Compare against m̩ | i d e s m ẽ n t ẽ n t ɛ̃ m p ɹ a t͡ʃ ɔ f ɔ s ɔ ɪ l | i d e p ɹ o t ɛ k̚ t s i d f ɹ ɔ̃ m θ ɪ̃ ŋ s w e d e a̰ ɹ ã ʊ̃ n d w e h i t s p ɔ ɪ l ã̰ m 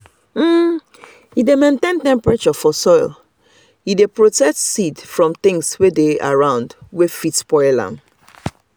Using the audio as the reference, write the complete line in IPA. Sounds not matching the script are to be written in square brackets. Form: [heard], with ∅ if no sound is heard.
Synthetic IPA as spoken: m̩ | i d e [∅] m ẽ n t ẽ n t ɛ̃ m p ɹ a t͡ʃ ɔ f ɔ s ɔ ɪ l | i d e p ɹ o t ɛ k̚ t s i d f ɹ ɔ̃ m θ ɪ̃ ŋ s w e d e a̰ ɹ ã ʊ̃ n d w e [f] i t s p ɔ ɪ l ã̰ m